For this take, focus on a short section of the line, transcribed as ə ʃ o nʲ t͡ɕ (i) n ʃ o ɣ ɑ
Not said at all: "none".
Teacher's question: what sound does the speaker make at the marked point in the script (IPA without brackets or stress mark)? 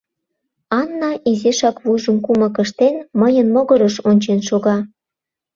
e